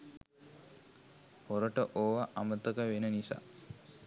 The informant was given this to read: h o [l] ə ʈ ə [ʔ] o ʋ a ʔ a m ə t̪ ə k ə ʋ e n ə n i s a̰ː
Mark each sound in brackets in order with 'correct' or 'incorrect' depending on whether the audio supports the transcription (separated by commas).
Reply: incorrect, correct